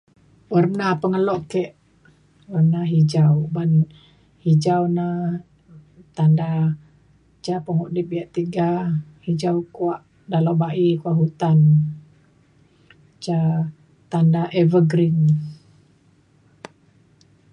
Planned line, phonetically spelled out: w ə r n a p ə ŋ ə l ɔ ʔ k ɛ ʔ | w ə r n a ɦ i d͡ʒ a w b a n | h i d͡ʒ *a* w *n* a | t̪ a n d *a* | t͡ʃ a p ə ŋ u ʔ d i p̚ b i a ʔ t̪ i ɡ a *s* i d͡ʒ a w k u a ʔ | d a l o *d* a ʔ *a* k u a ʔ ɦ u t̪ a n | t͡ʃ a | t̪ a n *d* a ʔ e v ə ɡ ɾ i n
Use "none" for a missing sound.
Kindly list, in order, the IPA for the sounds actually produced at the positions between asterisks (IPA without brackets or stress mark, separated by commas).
a, n, a, h, b, i, d